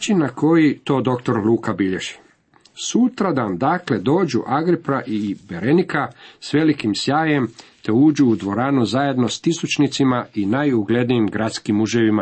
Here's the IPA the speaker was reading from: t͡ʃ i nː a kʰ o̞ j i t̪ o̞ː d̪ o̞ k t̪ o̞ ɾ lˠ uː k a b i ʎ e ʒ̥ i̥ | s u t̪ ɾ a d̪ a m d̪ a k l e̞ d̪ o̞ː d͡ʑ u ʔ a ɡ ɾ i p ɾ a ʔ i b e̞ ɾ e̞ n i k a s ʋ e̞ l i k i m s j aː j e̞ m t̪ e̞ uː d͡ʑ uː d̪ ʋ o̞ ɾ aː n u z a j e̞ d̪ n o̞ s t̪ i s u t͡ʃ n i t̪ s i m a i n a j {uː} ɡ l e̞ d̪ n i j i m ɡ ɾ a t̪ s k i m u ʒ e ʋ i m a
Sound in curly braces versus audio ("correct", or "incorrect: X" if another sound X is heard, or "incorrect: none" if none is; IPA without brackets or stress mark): incorrect: u